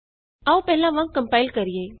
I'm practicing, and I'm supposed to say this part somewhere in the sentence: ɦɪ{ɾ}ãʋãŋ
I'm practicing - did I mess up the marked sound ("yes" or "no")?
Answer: yes